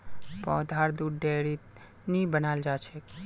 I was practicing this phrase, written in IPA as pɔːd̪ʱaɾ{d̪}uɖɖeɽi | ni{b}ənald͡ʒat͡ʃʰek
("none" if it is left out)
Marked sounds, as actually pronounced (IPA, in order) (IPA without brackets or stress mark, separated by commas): d̪, b